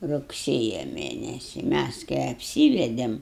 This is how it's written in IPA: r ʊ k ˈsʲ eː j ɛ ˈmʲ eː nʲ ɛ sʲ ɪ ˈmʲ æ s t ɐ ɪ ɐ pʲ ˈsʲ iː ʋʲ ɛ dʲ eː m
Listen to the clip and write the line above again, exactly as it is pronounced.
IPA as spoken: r ʊ k ˈsʲ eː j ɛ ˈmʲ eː nʲ ɛ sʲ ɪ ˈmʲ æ s k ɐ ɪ ɐ pʲ ˈsʲ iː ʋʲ ɛ dʲ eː m